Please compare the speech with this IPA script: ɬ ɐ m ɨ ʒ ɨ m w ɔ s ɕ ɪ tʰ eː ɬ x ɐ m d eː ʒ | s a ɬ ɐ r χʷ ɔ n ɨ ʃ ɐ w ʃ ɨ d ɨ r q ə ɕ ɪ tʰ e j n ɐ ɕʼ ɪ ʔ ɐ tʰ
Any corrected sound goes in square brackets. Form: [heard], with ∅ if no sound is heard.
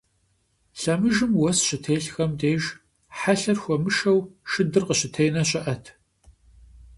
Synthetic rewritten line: ɬ ɐ m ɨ ʒ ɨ m w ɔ s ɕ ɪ tʰ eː ɬ x ɐ m d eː ʒ | [ħ] a ɬ ɐ r [xʷ] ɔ [m] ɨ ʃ ɐ w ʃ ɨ d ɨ r q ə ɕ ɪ tʰ e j n ɐ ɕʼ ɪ ʔ ɐ tʰ